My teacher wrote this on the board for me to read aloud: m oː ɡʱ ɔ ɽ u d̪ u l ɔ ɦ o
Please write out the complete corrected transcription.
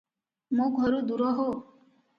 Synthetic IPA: m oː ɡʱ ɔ ɾ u d̪ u ɾ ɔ ɦ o